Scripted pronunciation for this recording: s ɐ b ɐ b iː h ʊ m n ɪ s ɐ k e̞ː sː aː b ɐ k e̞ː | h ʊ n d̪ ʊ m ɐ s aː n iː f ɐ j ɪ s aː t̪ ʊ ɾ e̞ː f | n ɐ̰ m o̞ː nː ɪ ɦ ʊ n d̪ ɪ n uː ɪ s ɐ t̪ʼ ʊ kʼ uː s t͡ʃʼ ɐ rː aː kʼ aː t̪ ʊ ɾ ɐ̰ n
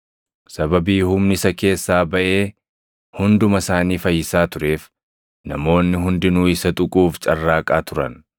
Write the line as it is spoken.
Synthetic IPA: s ɐ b ɐ b iː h ʊ m n ɪ s ɐ k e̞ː sː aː b ɐ ʔ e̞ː | h ʊ n d̪ ʊ m ɐ s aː n iː f ɐ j ɪ s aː t̪ ʊ ɾ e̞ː f | n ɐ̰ m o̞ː nː ɪ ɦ ʊ n d̪ ɪ n uː ɪ s ɐ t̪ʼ ʊ kʼ uː f t͡ʃʼ ɐ rː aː kʼ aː t̪ ʊ ɾ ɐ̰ n